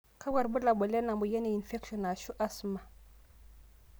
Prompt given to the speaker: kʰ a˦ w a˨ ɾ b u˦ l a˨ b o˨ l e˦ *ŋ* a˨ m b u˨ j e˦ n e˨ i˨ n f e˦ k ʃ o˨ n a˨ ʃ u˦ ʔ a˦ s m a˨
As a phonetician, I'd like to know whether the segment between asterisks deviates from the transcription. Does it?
yes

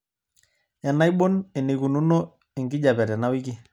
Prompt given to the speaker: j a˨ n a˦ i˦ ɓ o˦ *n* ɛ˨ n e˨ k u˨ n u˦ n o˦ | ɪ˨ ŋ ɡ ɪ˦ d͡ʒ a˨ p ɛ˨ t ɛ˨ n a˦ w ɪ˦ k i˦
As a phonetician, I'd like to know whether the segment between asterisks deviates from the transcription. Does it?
no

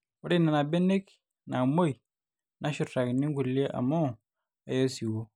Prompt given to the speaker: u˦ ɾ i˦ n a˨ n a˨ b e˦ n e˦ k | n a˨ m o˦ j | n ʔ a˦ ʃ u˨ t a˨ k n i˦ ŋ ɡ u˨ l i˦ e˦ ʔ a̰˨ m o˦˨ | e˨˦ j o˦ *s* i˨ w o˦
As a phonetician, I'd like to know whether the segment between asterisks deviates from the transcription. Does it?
no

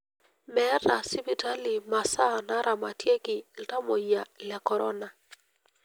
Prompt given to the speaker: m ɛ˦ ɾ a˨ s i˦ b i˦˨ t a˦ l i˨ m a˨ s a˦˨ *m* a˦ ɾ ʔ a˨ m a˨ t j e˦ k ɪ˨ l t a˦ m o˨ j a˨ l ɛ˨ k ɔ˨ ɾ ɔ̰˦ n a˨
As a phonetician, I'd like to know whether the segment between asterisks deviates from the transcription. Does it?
yes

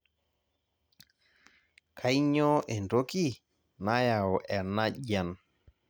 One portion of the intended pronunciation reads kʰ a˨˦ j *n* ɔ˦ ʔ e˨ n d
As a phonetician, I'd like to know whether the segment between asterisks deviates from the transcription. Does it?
yes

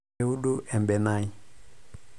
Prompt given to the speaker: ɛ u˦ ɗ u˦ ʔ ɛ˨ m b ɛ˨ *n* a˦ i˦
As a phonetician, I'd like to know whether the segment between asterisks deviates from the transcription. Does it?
no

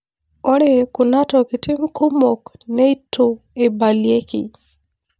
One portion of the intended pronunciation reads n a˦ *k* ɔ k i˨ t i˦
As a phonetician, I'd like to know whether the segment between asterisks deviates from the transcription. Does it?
yes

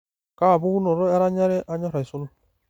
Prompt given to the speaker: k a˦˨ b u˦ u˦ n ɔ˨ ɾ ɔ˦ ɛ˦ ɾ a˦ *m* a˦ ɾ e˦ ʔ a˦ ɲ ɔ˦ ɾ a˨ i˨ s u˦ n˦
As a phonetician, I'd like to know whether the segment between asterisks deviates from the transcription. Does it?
yes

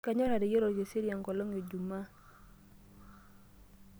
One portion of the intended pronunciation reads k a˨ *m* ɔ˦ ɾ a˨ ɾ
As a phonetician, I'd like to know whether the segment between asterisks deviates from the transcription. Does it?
yes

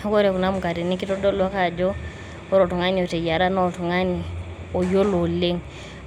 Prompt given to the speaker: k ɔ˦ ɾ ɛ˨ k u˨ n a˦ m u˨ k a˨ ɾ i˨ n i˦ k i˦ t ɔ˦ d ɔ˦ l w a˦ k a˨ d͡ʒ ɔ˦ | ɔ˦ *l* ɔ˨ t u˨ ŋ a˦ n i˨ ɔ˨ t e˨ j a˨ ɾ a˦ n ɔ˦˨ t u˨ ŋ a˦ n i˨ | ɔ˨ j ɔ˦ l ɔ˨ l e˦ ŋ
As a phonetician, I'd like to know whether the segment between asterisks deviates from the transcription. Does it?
yes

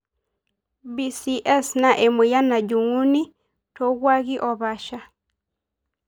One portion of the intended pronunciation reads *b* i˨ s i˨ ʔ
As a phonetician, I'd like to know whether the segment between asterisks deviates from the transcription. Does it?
no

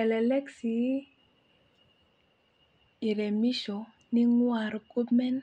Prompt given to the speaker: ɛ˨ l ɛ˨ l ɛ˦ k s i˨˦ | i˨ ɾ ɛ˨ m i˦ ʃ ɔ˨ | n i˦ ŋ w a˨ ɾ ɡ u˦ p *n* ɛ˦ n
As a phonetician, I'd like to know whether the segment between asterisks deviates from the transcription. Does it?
yes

